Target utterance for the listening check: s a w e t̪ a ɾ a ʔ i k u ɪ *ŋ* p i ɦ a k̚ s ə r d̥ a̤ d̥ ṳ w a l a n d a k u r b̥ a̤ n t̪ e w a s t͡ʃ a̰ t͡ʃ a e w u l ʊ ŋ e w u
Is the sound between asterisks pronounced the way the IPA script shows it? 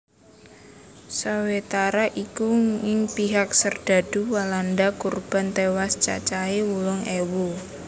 yes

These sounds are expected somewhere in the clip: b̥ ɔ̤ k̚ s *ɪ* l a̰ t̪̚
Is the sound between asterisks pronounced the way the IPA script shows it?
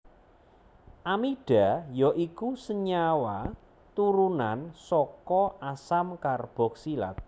no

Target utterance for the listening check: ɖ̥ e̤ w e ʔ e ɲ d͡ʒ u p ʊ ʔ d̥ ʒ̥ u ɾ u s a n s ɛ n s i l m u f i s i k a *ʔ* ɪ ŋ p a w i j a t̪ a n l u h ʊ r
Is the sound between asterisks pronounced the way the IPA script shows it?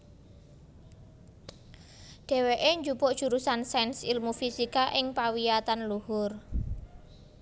yes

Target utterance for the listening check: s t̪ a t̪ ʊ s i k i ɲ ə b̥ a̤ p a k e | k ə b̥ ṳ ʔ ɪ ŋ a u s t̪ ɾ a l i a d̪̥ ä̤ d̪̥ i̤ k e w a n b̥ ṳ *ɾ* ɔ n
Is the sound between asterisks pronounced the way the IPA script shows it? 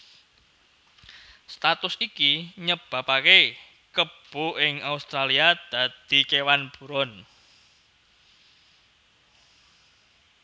yes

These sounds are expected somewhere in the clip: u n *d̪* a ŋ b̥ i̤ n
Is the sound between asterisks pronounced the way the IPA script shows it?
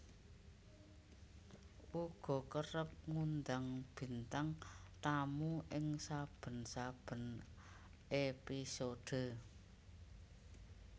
yes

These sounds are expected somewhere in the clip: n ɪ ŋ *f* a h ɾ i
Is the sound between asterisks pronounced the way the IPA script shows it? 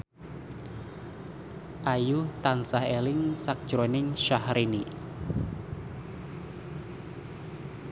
no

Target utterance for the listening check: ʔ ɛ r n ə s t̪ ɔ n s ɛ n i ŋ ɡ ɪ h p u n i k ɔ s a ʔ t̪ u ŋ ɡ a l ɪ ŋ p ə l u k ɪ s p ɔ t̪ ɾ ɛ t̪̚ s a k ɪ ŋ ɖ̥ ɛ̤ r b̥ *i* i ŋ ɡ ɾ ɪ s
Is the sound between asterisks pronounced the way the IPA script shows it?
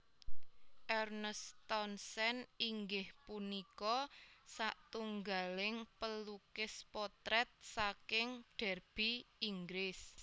yes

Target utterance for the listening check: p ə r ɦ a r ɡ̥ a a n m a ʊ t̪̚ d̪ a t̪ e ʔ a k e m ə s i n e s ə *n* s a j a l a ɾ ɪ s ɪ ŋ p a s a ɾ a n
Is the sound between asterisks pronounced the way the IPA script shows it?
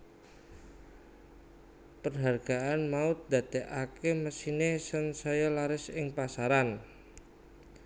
yes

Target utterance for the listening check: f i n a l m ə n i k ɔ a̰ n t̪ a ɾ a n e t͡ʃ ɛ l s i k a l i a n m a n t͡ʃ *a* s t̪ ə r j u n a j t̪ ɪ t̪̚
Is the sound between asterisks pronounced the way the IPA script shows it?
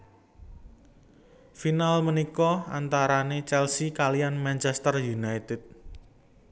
no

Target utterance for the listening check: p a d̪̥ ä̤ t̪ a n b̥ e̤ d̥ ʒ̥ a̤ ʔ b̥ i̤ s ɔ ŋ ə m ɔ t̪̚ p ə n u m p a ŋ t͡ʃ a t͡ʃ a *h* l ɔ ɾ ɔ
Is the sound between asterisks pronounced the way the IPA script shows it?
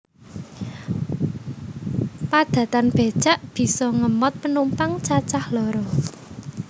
yes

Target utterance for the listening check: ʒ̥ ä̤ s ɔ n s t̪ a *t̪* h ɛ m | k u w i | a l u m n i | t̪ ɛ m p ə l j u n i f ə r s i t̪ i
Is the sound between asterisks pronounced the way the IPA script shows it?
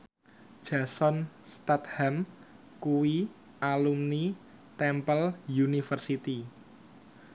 yes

